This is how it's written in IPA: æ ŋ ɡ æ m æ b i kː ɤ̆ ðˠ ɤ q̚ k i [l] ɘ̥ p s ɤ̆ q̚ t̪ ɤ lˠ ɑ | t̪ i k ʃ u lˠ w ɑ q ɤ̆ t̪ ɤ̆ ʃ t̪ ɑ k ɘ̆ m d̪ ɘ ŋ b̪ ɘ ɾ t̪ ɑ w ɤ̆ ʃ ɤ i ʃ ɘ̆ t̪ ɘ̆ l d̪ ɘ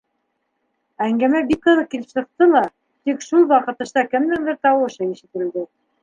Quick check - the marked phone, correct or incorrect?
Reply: correct